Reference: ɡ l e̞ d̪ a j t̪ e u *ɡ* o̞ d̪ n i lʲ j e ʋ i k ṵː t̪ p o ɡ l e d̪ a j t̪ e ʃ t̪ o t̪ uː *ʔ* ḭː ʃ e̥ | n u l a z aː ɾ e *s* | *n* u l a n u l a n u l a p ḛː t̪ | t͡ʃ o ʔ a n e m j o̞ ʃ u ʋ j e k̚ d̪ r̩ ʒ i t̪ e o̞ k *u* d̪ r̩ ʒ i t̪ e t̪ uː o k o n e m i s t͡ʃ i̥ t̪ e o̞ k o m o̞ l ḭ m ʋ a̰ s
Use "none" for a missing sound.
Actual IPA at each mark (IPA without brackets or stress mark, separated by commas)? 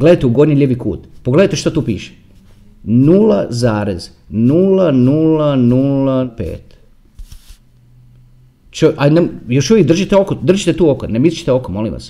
ɡ, p, z, n, o